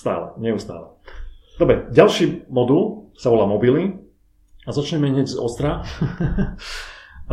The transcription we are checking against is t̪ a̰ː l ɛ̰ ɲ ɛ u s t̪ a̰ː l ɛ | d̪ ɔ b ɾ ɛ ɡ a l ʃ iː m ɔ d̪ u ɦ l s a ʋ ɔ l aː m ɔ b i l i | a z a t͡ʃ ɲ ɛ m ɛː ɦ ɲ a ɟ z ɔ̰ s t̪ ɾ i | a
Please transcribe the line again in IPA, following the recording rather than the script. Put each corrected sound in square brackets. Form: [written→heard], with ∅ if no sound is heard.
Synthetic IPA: t̪ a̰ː l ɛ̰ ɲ ɛ u s t̪ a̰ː l ɛ | d̪ ɔ b ɾ ɛ [ɡ→ɟ] a l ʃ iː m ɔ d̪ u [ɦ→∅] l s a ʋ ɔ l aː m ɔ b i l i | a z a t͡ʃ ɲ ɛ m [ɛː→ɛ] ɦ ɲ [a→ɛ] ɟ z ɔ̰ s t̪ ɾ [i→a] | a